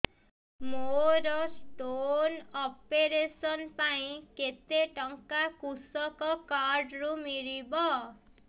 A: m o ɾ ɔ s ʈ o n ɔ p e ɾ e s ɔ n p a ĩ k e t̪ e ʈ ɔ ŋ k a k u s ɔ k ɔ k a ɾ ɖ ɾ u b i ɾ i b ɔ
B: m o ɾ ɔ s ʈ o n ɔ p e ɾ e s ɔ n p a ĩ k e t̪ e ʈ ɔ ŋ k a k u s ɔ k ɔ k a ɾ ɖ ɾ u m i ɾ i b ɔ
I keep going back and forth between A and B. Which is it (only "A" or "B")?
B